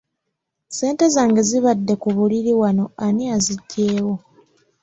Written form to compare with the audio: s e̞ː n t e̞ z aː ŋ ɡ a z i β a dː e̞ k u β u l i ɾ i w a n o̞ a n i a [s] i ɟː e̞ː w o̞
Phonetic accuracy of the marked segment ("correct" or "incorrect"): incorrect